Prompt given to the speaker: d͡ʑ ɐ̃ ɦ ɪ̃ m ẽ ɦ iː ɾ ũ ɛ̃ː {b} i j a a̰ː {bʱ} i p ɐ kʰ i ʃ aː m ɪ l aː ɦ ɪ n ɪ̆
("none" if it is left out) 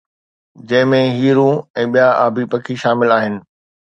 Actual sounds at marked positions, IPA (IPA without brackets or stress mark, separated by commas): ɓ, bʱ